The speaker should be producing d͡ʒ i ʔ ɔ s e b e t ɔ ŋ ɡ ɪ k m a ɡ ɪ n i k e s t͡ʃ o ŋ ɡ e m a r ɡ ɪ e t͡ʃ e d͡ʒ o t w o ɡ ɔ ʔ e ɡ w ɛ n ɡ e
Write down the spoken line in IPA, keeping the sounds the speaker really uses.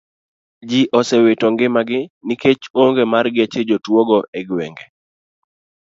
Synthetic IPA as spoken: d͡ʒ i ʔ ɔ s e w e t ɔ ŋ ɡ ɪ m a ɡ ɪ n i k e t͡ʃ o ŋ ɡ e m a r ɡ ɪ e t͡ʃ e d͡ʒ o t w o ɡ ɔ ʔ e ɡ w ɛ ŋ ɡ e